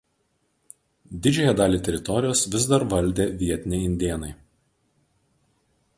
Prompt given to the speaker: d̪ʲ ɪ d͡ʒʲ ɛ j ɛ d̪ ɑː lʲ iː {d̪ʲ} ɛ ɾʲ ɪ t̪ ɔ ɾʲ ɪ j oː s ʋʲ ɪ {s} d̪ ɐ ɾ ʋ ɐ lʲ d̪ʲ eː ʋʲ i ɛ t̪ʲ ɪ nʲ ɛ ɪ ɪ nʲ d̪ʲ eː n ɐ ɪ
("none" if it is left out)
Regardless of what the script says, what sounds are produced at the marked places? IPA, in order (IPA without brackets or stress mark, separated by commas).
t̪ʲ, z